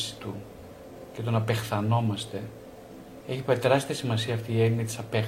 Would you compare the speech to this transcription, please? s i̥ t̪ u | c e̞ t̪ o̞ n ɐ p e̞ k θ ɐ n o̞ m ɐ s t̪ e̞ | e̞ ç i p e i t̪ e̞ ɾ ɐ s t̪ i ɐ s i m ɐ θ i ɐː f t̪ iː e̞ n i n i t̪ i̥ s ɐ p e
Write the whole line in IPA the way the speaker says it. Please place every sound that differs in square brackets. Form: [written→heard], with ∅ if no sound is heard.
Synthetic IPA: s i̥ t̪ u | c e̞ t̪ o̞ n ɐ p e̞ [k→x] θ ɐ n o̞ m ɐ s t̪ e̞ | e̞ ç i p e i t̪ e̞ ɾ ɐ s t̪ i ɐ s i m ɐ [θ→s] i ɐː f t̪ iː e̞ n i n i t̪ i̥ s ɐ p e